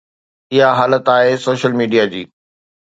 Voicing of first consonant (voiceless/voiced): voiced